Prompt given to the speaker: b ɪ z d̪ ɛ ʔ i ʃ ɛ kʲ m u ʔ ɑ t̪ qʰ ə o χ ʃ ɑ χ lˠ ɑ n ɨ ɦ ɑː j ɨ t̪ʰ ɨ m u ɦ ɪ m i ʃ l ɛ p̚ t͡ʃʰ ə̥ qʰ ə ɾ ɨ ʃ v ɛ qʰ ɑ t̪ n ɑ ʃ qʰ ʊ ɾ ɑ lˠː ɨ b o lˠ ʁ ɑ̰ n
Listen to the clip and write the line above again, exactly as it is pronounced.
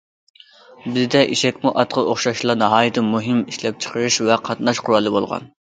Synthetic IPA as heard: b ɪ z d̪ ɛ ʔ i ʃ ɛ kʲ m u ʔ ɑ t̪ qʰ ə o χ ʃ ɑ ʃ lˠ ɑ n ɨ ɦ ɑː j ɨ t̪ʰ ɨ m u ɦ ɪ m i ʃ l ɛ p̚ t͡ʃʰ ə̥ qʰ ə ɾ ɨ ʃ v ɛ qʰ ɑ t̪ n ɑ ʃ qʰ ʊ ɾ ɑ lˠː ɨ b o lˠ ʁ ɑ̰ n